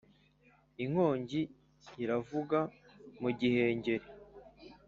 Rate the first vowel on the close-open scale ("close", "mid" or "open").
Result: close